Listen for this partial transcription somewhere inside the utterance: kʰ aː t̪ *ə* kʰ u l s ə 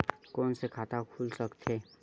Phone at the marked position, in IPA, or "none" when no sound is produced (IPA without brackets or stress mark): a